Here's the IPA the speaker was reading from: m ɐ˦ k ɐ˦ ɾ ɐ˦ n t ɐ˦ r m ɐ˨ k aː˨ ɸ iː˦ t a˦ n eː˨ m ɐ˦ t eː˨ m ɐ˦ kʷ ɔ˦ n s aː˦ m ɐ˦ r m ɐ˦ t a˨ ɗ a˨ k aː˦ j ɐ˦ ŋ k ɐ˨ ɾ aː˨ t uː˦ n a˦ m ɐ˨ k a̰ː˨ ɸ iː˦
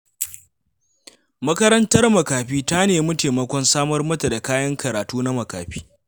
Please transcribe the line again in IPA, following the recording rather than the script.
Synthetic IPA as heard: m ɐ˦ k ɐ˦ ɾ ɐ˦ n t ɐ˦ r m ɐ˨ k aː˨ ɸ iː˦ t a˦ n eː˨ m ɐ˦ t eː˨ m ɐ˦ kʷ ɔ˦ n s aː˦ m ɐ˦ r m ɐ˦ t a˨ d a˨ k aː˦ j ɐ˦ ŋ k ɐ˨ ɾ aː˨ t uː˦ n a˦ m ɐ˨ k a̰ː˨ ɸ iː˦